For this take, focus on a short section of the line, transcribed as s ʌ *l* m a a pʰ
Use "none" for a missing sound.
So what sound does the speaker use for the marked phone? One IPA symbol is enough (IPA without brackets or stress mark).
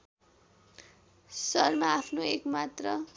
r